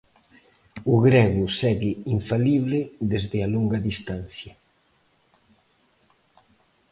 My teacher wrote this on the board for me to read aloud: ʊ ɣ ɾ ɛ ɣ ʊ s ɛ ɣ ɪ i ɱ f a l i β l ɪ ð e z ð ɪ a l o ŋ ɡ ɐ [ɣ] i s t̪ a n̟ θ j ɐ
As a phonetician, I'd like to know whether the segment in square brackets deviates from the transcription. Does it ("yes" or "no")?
yes